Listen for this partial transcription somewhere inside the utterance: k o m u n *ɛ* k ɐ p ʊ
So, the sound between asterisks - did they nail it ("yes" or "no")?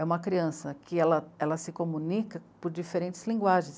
no